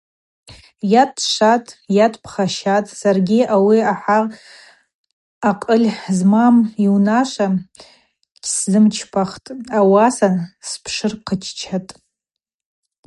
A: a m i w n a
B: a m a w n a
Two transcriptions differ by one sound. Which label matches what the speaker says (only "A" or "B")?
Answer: A